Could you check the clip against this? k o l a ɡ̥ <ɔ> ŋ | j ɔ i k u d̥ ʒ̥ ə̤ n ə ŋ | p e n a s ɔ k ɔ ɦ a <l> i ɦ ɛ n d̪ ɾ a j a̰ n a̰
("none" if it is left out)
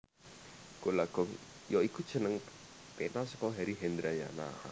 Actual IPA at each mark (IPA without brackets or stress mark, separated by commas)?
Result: ɔ, ɾ